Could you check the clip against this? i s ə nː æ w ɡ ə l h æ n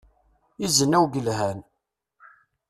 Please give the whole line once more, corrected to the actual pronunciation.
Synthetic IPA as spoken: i z ə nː æ w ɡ ə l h æ n